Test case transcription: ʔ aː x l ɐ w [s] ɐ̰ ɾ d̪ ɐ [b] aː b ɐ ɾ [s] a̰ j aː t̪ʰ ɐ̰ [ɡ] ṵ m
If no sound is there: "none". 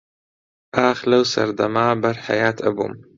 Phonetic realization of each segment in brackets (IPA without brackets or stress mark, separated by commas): s, m, ħ, b